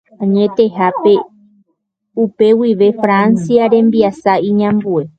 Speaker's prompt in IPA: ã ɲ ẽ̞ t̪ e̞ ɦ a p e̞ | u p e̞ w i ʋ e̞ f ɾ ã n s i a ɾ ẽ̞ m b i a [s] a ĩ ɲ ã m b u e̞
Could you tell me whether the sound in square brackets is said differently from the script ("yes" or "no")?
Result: no